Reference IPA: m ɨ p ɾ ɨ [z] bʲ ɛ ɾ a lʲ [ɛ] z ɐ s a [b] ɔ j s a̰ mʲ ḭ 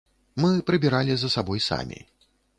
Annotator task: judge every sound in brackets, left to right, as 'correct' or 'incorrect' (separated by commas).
incorrect, incorrect, correct